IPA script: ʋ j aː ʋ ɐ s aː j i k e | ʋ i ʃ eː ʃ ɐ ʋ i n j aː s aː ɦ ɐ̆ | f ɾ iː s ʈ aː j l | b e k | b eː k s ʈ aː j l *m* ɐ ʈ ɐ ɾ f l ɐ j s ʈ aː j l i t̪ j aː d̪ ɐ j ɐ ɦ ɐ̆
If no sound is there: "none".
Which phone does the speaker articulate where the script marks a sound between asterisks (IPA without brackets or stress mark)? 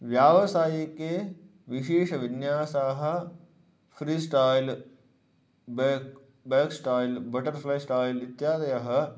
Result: b